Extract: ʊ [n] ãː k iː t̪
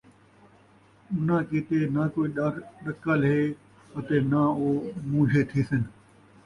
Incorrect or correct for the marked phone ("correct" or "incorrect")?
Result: correct